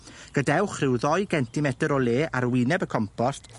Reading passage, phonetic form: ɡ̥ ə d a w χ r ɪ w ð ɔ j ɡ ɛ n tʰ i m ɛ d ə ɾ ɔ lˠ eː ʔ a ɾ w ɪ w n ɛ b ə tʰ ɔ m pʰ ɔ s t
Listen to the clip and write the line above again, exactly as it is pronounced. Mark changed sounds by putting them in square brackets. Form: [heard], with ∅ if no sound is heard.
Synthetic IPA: ɡ̥ ə d [ɛ] w χ r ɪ w ð ɔ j ɡ ɛ n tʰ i m ɛ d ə ɾ ɔ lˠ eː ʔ a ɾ w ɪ [∅] n ɛ b ə [kʰ] ɔ m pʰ ɔ s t